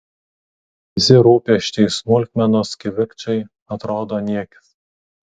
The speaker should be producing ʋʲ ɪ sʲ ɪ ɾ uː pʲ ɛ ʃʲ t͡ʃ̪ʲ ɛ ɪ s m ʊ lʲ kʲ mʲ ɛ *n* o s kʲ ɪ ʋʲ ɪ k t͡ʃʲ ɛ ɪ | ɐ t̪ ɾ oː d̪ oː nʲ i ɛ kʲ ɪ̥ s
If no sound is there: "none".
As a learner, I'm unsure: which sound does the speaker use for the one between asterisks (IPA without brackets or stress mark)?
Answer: n